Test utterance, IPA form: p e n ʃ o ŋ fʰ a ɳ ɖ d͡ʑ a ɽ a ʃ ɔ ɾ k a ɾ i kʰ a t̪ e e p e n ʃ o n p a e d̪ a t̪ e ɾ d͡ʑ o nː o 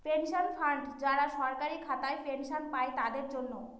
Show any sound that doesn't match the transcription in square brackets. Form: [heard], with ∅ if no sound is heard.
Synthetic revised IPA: p e n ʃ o [n] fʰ a ɳ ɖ d͡ʑ a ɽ a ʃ ɔ ɾ k a ɾ i kʰ a t̪ [a] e p e n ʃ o n p a e [t̪] a [d̪] e ɾ d͡ʑ o nː o

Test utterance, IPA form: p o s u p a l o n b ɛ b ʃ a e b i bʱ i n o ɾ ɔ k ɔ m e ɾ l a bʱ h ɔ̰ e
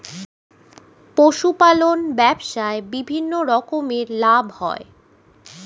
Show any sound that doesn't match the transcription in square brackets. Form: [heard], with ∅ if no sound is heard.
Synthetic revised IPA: p o [ʃ] u p a l o n b ɛ b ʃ a e b i bʱ i [nː] o ɾ ɔ k [o] m e ɾ l a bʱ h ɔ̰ e

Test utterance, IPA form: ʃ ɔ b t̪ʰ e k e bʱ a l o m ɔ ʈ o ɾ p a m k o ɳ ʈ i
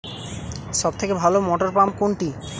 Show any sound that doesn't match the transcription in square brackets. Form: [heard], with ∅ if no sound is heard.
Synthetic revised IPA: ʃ ɔ b t̪ʰ e k e bʱ a l o m ɔ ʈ o ɾ p a m k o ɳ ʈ i

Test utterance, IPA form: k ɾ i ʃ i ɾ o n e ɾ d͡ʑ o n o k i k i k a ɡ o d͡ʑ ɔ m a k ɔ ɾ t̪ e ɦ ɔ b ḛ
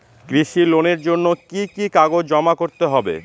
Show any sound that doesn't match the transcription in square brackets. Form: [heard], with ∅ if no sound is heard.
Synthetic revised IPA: k ɾ i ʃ i [l] o n e ɾ d͡ʑ o [nː] o k i k i k a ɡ o d͡ʑ ɔ m a k [o] ɾ t̪ e ɦ ɔ b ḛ

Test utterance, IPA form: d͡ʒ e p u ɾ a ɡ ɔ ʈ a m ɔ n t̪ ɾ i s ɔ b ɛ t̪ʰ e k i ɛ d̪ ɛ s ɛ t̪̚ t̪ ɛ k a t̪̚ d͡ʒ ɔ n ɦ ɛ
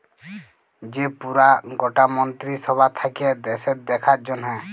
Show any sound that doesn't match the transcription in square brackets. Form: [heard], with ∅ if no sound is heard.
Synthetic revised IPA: d͡ʒ e p u ɾ a ɡ ɔ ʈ a m ɔ n t̪ ɾ i s ɔ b [a] t̪ʰ [a] k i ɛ d̪ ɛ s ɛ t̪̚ [d̪] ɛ [kʰ] a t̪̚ d͡ʒ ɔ n ɦ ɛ

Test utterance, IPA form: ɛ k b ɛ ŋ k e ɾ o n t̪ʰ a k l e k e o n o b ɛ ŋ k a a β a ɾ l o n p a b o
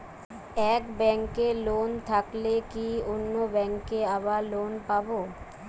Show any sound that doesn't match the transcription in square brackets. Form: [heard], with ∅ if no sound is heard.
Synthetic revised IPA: ɛ k b ɛ ŋ k e [l] o n t̪ʰ a k l e k [i] o [nː] o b ɛ ŋ k [e] a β a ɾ l o n p a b o

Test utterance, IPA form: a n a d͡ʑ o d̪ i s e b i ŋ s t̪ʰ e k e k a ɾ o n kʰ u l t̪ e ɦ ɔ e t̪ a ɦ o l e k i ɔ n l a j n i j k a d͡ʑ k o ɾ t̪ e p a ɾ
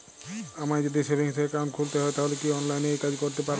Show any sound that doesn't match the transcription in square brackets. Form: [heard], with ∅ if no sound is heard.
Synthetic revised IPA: a [m] a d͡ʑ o d̪ i s e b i ŋ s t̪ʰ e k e k a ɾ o n kʰ u l t̪ e ɦ ɔ e t̪ a ɦ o l e k i ɔ n l a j n [e] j k a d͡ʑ k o ɾ t̪ e p a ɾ

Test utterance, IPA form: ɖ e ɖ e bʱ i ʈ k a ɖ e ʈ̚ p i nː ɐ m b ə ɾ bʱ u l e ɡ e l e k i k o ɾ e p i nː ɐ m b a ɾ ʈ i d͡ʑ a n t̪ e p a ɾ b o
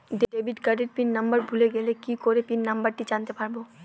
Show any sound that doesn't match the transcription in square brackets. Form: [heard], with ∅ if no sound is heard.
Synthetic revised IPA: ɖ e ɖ e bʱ i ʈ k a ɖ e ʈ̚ p i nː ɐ m b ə ɾ bʱ u l e ɡ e l e k i k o ɾ e p i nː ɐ m b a ɾ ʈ i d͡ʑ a n t̪ e p a ɾ b o

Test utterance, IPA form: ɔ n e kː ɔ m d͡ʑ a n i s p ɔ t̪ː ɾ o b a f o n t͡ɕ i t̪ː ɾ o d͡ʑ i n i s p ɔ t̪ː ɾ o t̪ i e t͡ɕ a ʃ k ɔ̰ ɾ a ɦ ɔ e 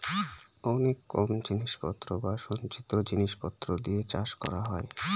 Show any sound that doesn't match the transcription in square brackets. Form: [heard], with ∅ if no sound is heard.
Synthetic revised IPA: ɔ n e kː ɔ m d͡ʑ [i] n i [ʃ] p ɔ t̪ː ɾ o b a [ʃ] o n t͡ɕ i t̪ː ɾ o d͡ʑ i n i [ʃ] p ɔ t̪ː ɾ o [d̪] i e t͡ɕ a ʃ k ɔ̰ ɾ a ɦ ɔ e

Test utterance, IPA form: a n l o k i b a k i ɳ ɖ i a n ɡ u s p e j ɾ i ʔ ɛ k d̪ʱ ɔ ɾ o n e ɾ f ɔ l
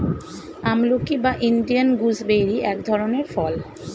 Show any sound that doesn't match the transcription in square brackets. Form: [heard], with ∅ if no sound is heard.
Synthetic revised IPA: a [m] l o k i b a [ʔ] i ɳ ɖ i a n ɡ u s [b] e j ɾ i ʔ ɛ k d̪ʱ ɔ ɾ o n e ɾ f ɔ l

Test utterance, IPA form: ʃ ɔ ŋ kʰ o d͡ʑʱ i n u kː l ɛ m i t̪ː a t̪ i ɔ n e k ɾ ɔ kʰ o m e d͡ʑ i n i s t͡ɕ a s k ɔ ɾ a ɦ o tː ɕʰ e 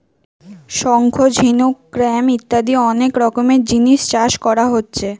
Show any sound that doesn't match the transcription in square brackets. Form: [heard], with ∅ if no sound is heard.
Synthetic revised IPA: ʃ ɔ ŋ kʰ o d͡ʑʱ i n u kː [ɾ] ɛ m i t̪ː a [d̪] i ɔ n e k ɾ ɔ [k] o m e d͡ʑ i n i [ʃ] t͡ɕ a [ʃ] k ɔ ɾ a ɦ o tː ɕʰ e

